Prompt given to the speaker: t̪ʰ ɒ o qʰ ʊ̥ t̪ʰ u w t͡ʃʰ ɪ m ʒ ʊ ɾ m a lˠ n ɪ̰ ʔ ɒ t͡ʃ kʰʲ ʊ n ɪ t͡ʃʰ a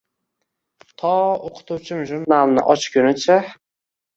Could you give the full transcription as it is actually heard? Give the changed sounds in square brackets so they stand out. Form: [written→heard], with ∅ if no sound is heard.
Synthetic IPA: t̪ʰ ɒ o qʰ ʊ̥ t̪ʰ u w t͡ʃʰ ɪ m ʒ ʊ ɾ [m→n] a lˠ n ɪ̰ ʔ ɒ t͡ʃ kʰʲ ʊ n ɪ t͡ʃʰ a